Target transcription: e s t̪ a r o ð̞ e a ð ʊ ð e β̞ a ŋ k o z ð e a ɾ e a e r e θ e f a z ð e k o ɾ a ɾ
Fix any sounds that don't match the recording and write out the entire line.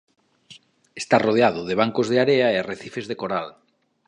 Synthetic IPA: e s t̪ a r o ð̞ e a ð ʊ ð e β̞ a ŋ k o z ð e a ɾ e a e r e θ i f e z ð e k o ɾ a l